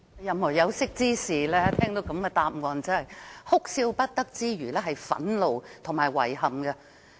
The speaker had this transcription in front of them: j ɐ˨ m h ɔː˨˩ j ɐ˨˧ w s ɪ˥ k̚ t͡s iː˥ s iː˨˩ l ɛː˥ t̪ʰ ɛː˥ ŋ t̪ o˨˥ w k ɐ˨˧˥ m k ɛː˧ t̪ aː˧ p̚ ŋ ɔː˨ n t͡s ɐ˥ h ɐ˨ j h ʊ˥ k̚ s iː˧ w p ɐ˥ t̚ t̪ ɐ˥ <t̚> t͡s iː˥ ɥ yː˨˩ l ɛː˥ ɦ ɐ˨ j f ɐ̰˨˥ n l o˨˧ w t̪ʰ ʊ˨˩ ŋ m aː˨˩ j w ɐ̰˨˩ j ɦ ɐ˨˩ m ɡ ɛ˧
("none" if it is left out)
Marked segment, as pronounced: k̚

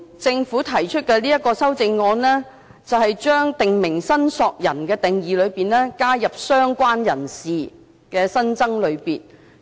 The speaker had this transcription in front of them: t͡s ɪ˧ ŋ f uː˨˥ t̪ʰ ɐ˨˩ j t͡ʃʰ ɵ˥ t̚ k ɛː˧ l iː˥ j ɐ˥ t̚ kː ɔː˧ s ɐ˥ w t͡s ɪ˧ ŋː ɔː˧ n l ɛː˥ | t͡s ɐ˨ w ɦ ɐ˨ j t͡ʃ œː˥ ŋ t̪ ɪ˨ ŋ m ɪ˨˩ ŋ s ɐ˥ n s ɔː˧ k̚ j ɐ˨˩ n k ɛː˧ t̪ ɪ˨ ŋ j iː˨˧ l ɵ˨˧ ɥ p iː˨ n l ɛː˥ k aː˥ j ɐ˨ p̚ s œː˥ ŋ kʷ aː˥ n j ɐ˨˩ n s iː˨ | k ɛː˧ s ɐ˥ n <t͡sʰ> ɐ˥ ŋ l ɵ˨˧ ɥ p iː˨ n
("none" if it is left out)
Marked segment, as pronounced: t͡s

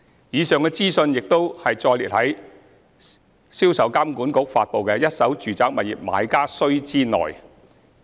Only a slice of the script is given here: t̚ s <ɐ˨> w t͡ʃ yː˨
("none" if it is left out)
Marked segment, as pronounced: ɐ˨˥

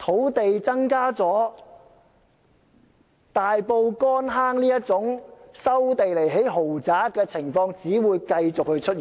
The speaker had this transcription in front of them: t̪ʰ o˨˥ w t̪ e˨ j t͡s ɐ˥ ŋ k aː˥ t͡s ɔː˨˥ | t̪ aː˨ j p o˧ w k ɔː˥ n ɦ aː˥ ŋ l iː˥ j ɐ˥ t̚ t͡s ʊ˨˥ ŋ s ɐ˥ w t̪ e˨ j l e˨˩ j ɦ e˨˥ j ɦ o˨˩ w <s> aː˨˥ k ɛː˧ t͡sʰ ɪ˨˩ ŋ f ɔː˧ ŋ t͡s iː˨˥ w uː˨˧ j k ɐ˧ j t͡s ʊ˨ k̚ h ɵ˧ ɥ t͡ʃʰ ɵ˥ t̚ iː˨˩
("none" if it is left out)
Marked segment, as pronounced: t͡s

